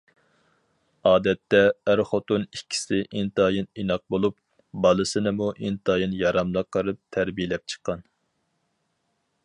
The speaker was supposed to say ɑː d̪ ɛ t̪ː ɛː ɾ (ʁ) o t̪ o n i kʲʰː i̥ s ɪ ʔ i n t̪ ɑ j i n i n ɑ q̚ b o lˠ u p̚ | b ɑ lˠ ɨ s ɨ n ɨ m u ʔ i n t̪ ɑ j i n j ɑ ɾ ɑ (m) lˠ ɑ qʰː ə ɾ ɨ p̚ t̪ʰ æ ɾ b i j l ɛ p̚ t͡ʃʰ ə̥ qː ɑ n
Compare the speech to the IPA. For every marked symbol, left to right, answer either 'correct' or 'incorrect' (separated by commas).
incorrect, correct